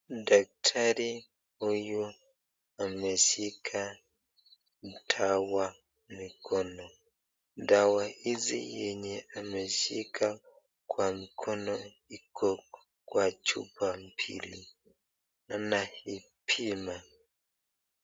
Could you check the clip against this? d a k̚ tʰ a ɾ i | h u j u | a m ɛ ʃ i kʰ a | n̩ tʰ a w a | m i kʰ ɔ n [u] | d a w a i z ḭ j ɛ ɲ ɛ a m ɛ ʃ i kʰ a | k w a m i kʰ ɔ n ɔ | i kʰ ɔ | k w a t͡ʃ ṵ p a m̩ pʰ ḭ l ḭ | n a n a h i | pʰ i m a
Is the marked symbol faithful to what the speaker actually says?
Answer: no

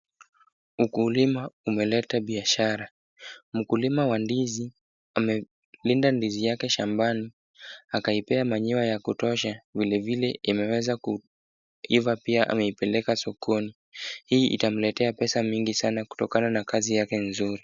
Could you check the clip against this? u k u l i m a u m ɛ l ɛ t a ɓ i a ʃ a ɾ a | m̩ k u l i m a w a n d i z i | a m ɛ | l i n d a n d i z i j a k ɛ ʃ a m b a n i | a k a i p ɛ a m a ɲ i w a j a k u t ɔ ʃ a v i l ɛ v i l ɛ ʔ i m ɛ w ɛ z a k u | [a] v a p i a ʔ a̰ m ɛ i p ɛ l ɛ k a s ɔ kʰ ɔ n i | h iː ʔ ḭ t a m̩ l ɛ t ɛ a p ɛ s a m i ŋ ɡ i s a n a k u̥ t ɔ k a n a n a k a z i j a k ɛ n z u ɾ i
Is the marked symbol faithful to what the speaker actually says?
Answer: no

